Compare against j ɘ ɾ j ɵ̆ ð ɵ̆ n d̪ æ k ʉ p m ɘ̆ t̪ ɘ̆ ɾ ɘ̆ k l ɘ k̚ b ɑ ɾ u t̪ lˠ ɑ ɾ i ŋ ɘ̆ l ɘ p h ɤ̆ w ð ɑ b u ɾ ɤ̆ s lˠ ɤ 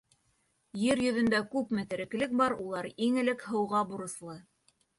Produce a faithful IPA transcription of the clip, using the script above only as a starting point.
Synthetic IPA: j ɘ ɾ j ɵ̆ ð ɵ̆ n d̪ æ k ʉ p m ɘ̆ t̪ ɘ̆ ɾ ɘ̆ k l ɘ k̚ b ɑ ɾ u lˠ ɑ ɾ i ŋ ɘ̆ l ɘ k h ɤ̆ w ʁ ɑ b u ɾ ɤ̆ s lˠ ɤ